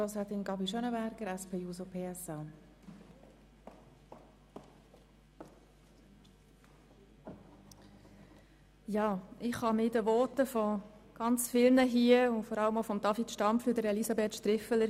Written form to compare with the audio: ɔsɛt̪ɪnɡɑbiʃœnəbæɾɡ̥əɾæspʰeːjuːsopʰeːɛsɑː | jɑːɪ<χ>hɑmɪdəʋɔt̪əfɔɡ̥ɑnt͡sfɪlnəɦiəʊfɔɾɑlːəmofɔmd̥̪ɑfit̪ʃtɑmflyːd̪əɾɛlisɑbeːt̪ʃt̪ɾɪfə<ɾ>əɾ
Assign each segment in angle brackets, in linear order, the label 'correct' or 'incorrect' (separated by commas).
correct, incorrect